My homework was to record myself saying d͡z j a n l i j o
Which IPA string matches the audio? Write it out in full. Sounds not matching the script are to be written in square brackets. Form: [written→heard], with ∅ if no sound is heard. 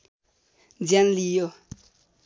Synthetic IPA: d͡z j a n l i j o

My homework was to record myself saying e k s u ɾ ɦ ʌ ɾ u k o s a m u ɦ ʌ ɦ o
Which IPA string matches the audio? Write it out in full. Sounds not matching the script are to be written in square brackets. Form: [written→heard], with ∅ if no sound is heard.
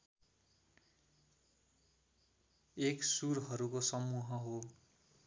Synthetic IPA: e k s u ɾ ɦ ʌ ɾ u k o s [a→ʌ] m u ɦ ʌ ɦ o

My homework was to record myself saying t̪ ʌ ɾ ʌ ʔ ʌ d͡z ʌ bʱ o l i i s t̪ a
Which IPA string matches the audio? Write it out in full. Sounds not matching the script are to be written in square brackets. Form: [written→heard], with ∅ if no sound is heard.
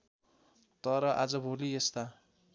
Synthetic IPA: t̪ ʌ ɾ ʌ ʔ [ʌ→a] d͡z ʌ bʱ o l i [i→e] s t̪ a

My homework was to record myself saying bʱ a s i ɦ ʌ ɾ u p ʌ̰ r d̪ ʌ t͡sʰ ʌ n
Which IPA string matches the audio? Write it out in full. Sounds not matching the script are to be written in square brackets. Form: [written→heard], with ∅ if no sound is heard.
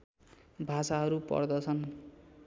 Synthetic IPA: bʱ a s [i→a] ɦ ʌ ɾ u p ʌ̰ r d̪ ʌ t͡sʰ ʌ n

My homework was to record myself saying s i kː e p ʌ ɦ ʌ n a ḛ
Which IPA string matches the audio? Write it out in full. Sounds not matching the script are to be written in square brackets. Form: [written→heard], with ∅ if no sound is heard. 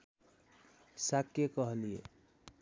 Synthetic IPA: s [i→a] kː e [p→k] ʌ ɦ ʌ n [a→i] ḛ

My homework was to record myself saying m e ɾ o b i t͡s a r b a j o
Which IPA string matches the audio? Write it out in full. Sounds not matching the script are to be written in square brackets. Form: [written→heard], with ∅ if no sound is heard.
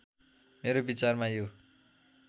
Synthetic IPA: m e ɾ o b i t͡s a r [b→m] a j o

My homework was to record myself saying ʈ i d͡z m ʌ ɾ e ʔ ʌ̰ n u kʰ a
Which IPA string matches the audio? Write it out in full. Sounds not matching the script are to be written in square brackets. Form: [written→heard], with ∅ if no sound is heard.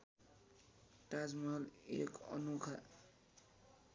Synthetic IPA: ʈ [i→a] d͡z m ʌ [ɾ→l] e [ʔ→k] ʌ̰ n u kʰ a

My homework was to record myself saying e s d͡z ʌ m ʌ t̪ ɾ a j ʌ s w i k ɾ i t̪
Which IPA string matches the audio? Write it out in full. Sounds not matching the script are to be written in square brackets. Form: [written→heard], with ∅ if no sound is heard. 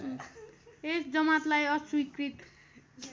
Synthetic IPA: e s d͡z ʌ m [ʌ→a] t̪ [ɾ→l] a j ʌ s w i k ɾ i t̪

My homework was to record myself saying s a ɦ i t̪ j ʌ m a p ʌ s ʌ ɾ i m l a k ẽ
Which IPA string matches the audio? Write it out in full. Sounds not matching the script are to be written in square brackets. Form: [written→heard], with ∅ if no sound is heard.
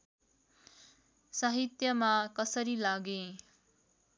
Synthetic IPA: s a ɦ i t̪ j ʌ m a [p→k] ʌ s ʌ ɾ i [m→∅] l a [k→ɡ] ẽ

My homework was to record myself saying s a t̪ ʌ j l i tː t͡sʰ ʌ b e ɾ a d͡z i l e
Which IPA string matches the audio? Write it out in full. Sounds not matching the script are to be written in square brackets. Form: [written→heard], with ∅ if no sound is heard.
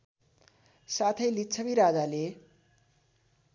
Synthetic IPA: s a [t̪→t̪ʰ] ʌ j l i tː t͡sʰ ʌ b [e→i] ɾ a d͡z [i→a] l e

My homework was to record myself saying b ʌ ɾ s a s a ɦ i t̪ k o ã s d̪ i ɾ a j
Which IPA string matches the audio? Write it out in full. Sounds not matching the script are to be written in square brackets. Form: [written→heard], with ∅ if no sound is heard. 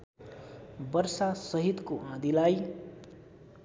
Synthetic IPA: b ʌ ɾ s a s [a→ʌ] ɦ i t̪ k o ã [s→∅] d̪ i [ɾ→l] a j

